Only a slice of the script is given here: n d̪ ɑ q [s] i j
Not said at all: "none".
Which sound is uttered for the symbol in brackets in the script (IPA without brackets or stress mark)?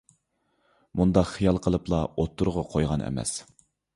χ